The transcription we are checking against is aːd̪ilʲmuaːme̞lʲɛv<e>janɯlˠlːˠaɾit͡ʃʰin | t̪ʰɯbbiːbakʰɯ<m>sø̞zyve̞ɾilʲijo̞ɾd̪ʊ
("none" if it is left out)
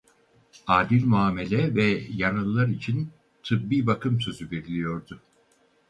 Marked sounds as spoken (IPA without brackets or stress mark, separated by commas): ɛ, m